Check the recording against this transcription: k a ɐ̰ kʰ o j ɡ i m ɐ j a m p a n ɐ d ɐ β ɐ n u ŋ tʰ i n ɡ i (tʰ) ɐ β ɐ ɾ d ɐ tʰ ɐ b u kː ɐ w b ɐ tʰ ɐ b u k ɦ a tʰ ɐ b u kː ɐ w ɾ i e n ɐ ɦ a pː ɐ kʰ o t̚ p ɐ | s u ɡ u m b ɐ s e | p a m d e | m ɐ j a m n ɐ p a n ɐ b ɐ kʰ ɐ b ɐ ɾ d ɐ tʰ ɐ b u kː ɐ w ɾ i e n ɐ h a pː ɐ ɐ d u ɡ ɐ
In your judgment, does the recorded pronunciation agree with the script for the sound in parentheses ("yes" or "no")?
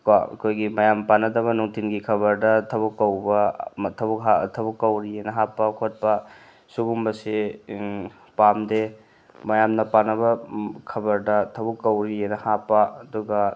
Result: no